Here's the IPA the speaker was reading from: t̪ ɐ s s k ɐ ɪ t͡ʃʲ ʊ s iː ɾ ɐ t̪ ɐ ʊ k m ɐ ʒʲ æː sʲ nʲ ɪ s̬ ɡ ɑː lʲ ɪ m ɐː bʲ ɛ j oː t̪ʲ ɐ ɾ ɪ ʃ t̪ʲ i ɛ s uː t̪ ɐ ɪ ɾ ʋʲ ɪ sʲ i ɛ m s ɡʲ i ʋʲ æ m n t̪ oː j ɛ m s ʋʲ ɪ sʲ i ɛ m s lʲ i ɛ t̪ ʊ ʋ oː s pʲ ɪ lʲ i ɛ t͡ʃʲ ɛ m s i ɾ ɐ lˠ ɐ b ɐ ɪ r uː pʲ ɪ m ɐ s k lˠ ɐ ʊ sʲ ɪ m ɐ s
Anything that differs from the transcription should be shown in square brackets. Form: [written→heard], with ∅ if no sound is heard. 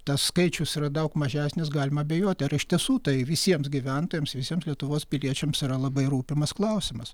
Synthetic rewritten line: t̪ ɐ s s k ɐ ɪ t͡ʃʲ ʊ s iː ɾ ɐ [t̪→d̪] ɐ ʊ k m ɐ ʒʲ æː sʲ nʲ ɪ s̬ ɡ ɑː lʲ ɪ m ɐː bʲ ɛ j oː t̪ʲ ɐ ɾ ɪ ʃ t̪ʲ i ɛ s uː t̪ ɐ ɪ [ɾ→∅] ʋʲ ɪ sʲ i ɛ m s ɡʲ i ʋʲ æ [m→∅] n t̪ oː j ɛ m s ʋʲ ɪ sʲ i ɛ m s lʲ i ɛ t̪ ʊ ʋ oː s pʲ ɪ lʲ i ɛ t͡ʃʲ ɛ m s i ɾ ɐ lˠ ɐ b ɐ ɪ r uː pʲ ɪ m ɐ s k lˠ ɐ ʊ sʲ ɪ m ɐ s